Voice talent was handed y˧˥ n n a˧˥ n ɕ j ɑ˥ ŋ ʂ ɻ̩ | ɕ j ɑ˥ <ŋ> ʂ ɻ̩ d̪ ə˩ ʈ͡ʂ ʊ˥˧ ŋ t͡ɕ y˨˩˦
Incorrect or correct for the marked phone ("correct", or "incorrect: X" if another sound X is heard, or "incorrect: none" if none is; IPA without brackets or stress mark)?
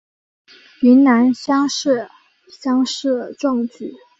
correct